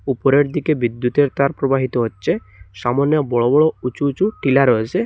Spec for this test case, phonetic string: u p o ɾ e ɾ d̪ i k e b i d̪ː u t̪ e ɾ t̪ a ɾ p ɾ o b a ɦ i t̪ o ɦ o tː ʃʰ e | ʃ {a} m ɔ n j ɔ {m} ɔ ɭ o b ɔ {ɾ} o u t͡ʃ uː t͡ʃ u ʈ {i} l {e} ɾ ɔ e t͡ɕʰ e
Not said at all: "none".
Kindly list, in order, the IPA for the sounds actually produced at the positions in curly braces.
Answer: a, b, ɭ, i, a

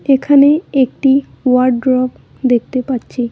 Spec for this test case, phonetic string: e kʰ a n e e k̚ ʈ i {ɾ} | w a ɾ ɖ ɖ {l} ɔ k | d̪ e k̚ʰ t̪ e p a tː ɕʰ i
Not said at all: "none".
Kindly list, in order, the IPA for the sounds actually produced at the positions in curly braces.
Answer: none, ɾ

